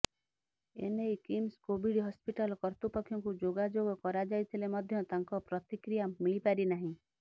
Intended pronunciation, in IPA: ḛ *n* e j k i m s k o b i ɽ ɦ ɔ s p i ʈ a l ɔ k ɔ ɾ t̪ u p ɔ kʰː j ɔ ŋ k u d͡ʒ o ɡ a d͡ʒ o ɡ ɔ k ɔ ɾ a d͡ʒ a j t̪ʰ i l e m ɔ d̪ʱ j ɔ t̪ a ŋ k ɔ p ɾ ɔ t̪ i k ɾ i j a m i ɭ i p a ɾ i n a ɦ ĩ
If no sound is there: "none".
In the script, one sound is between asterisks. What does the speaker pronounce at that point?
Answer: n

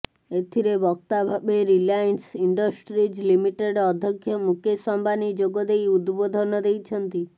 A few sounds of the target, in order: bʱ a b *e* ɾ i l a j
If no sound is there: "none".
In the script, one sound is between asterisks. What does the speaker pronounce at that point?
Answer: e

